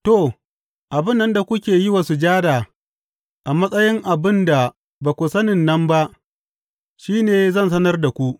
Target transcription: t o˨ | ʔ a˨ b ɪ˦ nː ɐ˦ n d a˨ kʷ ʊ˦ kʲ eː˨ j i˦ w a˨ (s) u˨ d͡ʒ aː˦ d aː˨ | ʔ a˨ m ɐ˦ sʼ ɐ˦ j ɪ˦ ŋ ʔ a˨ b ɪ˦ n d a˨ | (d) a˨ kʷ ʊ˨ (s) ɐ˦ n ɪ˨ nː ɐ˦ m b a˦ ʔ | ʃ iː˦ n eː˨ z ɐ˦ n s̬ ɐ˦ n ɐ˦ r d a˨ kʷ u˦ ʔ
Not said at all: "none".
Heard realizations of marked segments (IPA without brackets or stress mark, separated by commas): s, b, s